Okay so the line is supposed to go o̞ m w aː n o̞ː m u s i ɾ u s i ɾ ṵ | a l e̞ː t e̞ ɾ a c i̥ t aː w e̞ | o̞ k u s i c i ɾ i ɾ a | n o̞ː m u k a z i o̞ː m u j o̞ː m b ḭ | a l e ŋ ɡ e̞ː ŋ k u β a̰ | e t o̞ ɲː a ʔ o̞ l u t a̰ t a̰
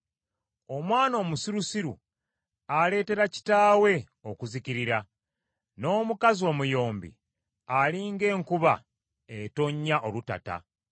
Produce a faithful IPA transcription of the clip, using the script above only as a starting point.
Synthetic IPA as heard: o̞ m w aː n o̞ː m u s i ɾ u s i ɾ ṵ | a l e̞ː t e̞ ɾ a c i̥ t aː w e̞ | o̞ k u z i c i ɾ i ɾ a | n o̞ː m u k a z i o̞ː m u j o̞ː m b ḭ | a l i ŋ ɡ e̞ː ŋ k u β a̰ | e t o̞ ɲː a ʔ o̞ l u t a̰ t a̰